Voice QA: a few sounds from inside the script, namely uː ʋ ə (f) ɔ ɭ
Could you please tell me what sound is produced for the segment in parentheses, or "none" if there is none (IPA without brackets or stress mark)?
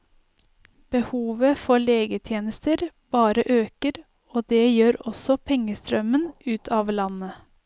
f